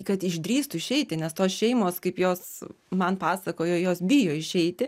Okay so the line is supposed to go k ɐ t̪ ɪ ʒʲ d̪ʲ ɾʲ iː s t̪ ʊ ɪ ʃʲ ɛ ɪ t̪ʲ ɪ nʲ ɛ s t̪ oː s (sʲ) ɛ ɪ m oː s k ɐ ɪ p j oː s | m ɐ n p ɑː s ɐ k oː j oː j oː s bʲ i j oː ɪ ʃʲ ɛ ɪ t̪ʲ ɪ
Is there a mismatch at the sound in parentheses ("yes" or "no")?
yes